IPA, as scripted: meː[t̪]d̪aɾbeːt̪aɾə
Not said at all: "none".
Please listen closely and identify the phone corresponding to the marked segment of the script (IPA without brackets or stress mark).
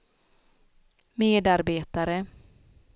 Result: none